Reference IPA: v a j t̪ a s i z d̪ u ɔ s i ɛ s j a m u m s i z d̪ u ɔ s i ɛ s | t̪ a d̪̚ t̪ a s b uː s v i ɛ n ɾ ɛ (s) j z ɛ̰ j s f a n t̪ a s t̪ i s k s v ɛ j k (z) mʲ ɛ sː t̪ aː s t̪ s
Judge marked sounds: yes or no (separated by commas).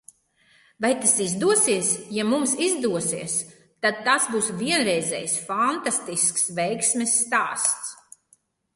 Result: no, no